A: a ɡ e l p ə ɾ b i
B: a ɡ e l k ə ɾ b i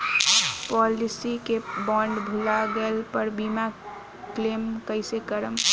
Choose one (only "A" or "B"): A